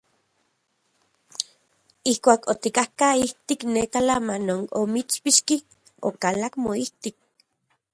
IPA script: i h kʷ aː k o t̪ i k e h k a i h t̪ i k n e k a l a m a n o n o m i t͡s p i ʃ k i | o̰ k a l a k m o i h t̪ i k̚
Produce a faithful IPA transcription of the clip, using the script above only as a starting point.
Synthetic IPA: i h kʷ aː k o t̪ i k a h k a i h t̪ i k n e k a l a m a n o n o m i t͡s p i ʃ k i | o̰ k a l a k m o i h t̪ i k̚